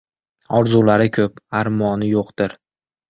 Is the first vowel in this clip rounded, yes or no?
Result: yes